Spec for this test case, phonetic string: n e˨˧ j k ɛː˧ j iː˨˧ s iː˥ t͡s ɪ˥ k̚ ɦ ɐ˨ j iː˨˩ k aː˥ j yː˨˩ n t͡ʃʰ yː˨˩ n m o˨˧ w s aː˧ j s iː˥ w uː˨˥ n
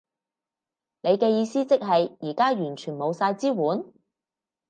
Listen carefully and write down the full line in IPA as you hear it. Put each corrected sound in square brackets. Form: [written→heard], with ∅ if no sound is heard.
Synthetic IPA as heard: n e˨˧ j k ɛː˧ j iː˨˧ s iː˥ t͡s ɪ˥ k̚ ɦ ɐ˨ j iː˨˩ k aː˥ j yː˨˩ n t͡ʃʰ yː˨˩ n m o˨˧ w s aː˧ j [s→t͡s] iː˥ w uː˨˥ n